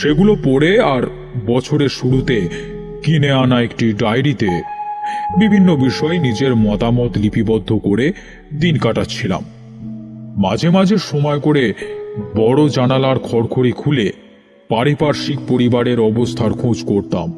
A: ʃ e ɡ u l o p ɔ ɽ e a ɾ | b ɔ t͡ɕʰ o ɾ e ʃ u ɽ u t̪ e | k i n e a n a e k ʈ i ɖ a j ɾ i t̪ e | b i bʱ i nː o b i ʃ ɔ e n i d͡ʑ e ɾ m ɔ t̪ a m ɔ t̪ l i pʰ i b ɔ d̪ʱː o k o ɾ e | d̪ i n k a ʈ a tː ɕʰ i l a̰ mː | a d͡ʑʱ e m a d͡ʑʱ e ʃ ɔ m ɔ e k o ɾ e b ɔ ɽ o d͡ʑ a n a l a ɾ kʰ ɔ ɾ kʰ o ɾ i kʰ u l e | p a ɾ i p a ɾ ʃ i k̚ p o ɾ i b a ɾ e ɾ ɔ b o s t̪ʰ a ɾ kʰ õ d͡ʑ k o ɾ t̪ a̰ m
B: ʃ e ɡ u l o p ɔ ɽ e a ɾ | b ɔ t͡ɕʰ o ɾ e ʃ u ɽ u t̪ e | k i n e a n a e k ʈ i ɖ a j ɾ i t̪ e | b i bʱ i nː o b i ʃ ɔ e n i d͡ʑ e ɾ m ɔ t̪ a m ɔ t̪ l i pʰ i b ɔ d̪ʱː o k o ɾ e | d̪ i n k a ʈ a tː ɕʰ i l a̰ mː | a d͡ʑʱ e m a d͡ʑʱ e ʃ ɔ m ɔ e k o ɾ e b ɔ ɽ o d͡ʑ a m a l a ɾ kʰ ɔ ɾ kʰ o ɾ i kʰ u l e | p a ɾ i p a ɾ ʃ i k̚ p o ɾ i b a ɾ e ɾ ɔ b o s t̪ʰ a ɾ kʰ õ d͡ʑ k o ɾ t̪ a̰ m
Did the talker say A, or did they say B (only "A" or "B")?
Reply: A